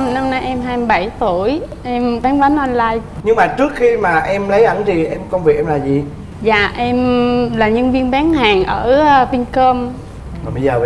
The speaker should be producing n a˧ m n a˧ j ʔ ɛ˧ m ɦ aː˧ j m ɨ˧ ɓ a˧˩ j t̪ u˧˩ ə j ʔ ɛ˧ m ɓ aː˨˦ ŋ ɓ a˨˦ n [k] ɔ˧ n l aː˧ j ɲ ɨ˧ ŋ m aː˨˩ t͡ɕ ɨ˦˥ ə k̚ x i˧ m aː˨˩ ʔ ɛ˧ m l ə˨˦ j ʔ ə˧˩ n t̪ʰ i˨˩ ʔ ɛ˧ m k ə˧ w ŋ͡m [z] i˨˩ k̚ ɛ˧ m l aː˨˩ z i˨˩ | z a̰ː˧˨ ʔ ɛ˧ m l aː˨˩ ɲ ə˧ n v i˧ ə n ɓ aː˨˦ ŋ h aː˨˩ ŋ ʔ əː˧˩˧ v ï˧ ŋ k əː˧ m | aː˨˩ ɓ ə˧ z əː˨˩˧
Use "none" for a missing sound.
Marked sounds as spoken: ʔ, v

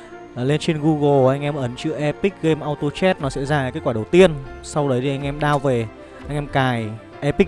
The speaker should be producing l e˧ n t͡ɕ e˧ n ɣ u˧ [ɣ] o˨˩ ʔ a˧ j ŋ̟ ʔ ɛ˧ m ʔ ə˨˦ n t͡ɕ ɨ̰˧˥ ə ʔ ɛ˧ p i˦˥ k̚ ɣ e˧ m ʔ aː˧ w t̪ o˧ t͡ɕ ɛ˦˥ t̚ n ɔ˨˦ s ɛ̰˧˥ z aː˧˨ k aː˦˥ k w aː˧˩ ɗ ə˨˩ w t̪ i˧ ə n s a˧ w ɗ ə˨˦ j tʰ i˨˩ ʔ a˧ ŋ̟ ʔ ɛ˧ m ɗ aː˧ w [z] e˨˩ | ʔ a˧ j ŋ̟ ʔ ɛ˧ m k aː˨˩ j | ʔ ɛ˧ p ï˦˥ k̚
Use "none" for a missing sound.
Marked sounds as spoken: ɣ, v

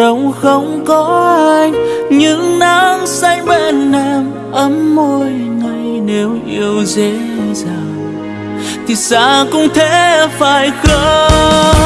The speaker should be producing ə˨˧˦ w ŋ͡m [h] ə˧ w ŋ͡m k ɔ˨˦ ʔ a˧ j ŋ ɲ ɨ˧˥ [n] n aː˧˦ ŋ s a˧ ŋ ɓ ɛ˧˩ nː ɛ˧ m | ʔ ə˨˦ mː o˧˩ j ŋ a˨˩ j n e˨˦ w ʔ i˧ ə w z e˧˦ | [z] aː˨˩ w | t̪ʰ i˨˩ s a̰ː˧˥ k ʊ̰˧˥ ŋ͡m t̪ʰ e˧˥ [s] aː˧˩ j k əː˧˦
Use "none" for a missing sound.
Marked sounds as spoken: x, ŋ, z, f

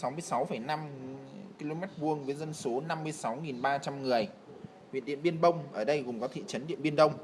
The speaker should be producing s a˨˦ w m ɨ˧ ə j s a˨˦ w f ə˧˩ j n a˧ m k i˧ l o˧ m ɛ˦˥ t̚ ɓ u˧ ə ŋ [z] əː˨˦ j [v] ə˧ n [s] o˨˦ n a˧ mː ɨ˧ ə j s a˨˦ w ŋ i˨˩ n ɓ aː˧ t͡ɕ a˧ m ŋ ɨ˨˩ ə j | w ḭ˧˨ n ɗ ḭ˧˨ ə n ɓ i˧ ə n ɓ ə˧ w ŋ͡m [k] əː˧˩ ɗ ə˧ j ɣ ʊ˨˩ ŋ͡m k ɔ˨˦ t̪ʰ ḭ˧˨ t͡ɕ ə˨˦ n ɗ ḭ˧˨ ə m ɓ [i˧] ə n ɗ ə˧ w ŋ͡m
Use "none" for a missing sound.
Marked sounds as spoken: v, z, s, ʔ, i˧

